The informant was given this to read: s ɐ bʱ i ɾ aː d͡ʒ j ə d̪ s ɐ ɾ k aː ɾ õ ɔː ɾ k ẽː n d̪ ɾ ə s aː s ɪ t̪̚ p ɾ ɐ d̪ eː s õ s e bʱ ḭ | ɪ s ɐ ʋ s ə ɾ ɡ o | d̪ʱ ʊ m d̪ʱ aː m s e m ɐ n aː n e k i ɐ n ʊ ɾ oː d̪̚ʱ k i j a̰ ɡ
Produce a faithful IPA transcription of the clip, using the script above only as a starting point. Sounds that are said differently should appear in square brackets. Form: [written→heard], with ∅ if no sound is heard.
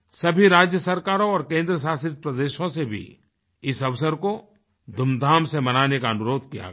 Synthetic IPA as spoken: s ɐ bʱ i ɾ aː d͡ʒ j ə [d̪→∅] s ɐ ɾ k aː ɾ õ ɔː ɾ k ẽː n d̪ ɾ ə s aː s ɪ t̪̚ p ɾ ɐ d̪ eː [s→ʃ] õ s e bʱ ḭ | ɪ s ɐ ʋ s ə ɾ [ɡ→k] o | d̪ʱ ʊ m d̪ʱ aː m s e m ɐ n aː n e k [i→a] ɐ n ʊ ɾ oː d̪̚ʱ k i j a̰ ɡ